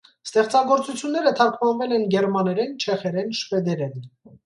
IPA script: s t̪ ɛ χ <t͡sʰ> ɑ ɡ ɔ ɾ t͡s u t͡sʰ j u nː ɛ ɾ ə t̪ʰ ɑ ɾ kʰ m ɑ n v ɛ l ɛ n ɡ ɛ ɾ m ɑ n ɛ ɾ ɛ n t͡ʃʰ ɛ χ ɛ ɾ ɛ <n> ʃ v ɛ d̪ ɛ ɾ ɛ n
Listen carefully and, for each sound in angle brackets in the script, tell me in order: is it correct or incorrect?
incorrect, correct

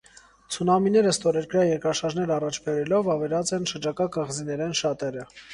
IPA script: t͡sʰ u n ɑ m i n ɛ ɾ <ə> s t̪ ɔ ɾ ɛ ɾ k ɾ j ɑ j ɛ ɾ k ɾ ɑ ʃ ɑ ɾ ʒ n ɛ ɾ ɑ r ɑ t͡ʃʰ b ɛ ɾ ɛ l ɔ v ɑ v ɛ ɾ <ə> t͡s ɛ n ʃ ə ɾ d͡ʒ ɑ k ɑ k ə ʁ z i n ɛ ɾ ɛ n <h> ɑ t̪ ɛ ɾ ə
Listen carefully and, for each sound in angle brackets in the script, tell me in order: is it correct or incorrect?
correct, incorrect, incorrect

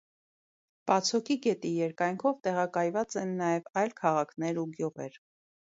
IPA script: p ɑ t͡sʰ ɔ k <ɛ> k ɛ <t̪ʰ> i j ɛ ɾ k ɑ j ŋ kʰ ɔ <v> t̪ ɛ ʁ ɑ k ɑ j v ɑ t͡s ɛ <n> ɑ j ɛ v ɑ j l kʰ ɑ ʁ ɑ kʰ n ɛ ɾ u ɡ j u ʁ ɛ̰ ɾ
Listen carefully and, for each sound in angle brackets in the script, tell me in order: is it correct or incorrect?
incorrect, incorrect, correct, incorrect

